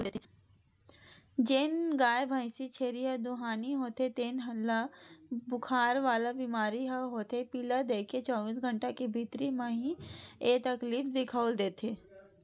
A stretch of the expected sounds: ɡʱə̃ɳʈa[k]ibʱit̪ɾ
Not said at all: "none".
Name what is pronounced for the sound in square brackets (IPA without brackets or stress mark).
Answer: k